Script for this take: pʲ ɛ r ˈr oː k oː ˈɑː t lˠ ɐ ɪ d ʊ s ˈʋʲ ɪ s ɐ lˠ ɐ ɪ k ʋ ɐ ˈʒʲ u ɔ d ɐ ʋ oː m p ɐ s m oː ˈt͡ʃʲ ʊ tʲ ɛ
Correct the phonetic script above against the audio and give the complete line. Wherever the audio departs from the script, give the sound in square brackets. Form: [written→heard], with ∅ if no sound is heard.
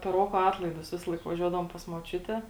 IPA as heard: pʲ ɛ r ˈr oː k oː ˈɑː t lˠ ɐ ɪ d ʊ s ˈʋʲ ɪ s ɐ lˠ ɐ ɪ k ʋ ɐ ˈʒʲ u ɔ d ɐ ʋ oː m p ɐ s m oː ˈt͡ʃʲ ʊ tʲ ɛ